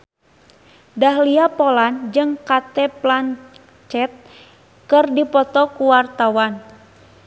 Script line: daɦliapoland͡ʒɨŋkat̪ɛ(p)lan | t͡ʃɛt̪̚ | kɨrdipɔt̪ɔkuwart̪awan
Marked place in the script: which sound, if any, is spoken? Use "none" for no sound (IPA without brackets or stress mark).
p